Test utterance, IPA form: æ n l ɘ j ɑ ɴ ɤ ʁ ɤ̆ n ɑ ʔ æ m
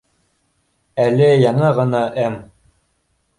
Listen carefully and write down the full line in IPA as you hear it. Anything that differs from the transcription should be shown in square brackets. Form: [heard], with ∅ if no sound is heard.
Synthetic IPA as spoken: æ [∅] l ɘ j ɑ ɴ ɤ ʁ ɤ̆ n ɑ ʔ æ m